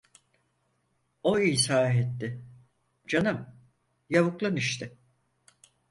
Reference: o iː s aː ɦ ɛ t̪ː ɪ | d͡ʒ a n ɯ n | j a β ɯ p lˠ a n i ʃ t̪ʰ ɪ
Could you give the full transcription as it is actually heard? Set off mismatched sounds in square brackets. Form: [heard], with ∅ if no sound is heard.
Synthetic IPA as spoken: o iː s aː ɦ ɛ t̪ː ɪ | d͡ʒ a n ɯ [m] | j a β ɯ [k] lˠ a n i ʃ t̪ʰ ɪ

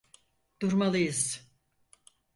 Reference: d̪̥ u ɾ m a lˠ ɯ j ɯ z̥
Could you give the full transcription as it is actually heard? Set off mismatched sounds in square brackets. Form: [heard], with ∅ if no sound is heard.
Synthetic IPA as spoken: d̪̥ u ɾ m a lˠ ɯ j ɯ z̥

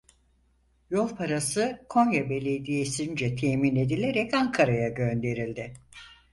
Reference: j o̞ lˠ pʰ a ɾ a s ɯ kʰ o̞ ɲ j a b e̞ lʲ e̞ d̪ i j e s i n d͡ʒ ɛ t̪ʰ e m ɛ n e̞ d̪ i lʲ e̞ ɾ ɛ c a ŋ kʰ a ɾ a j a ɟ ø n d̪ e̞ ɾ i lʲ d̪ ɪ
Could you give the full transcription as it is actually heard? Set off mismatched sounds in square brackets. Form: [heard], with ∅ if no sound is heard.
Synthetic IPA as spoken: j o̞ lˠ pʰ a ɾ a s ɯ kʰ o̞ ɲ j a b e̞ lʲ e̞ d̪ i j e s i n d͡ʒ ɛ t̪ʰ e m [i] n e̞ d̪ i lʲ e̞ ɾ ɛ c a ŋ kʰ a ɾ a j a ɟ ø n d̪ e̞ ɾ i lʲ d̪ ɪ

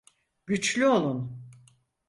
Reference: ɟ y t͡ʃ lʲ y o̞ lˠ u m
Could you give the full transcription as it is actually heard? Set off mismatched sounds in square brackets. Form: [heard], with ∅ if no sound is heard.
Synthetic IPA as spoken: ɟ y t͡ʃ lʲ y o̞ lˠ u [n]

